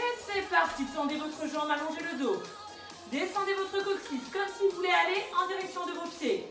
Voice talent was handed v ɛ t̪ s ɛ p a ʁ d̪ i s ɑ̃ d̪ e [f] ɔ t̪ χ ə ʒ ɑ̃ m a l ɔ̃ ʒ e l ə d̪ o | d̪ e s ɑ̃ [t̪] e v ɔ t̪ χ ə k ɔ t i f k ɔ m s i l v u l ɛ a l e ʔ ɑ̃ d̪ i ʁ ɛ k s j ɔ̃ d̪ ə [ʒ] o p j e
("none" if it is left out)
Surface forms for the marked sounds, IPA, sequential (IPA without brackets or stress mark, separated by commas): v, d̪, v